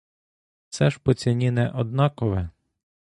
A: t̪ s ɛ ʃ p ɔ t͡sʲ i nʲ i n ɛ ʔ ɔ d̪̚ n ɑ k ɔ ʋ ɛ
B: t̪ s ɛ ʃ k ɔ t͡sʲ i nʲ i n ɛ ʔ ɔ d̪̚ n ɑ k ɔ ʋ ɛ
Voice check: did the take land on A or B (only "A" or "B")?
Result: A